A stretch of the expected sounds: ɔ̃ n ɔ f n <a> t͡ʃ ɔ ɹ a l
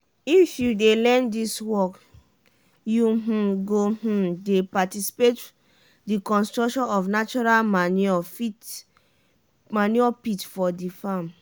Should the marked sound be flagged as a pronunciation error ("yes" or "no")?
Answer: no